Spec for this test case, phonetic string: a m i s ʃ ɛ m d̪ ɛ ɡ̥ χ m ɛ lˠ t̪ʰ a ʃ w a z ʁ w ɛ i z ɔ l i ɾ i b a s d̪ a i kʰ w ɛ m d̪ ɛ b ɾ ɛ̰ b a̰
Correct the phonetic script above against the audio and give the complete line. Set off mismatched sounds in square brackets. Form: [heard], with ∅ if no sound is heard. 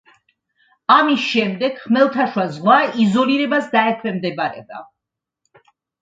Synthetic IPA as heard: a m i s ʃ ɛ m d̪ ɛ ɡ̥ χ m ɛ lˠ t̪ʰ a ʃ w a z ʁ w [a] i z ɔ l i ɾ [ɛ] b a s d̪ a [ɛ] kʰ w ɛ m d̪ ɛ b ɾ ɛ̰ b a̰